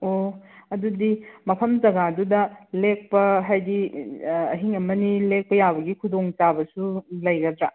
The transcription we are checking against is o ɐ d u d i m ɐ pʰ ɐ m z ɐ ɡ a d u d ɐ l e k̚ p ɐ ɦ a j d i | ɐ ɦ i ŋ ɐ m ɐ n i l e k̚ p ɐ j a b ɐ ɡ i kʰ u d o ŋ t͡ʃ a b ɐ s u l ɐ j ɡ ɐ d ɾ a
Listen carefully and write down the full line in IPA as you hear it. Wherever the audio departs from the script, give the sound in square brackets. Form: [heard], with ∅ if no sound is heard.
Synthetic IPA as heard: o ɐ d u d i m ɐ pʰ ɐ m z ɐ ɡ a d u d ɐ l e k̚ p ɐ ɦ a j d i | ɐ ɦ i ŋ ɐ m ɐ n i l e k̚ p ɐ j a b ɐ ɡ i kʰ u d o ŋ t͡ʃ a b ɐ s u l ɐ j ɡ ɐ d ɾ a